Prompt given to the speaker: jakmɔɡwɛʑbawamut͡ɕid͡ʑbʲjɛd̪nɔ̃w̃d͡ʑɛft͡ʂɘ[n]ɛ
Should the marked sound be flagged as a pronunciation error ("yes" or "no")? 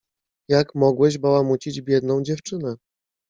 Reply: no